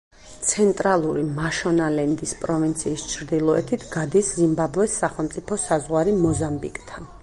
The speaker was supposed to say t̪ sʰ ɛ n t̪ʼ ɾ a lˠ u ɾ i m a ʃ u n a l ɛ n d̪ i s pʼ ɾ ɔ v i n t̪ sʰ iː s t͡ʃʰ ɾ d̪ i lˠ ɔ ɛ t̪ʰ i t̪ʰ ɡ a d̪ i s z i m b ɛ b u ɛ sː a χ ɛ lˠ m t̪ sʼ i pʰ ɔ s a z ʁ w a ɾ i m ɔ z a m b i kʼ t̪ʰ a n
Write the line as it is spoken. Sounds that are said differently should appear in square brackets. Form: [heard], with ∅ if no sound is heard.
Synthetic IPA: t̪ sʰ ɛ n t̪ʼ ɾ a lˠ u ɾ i m a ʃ [ɔ] n a l ɛ n d̪ i s pʼ ɾ ɔ v i n t̪ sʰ iː s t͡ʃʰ ɾ d̪ i lˠ ɔ ɛ t̪ʰ i t̪ʰ ɡ a d̪ i s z i m b [a] b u ɛ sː a χ ɛ lˠ m t̪ sʼ i pʰ ɔ s a z ʁ w a ɾ i m ɔ z a m b i kʼ t̪ʰ a n